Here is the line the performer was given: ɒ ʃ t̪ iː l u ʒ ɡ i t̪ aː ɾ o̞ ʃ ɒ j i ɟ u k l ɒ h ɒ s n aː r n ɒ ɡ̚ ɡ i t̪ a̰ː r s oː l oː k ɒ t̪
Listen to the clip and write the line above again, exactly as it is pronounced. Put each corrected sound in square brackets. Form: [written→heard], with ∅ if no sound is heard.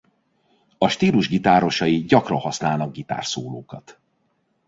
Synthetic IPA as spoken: ɒ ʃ t̪ iː l u ʒ ɡ i t̪ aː ɾ o̞ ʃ ɒ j i ɟ [u→ɒ] k [l→r] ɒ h ɒ s n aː [r→l] n ɒ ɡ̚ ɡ i t̪ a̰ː r s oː l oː k ɒ t̪